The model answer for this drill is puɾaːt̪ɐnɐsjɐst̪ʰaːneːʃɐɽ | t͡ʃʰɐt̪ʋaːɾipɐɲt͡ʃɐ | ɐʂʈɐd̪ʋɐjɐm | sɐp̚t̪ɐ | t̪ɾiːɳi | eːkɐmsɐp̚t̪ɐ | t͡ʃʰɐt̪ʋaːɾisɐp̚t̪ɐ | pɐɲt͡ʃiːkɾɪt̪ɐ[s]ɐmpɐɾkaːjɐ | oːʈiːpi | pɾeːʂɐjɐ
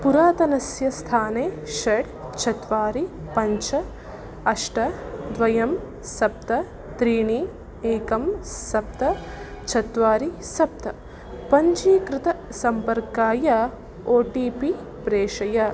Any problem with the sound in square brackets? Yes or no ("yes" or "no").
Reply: no